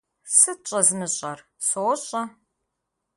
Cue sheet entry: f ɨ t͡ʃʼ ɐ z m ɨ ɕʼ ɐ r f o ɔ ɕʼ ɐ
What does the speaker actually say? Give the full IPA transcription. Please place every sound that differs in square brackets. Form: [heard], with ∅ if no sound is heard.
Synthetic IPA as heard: [s] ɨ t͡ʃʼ ɐ z m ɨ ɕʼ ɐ r [s] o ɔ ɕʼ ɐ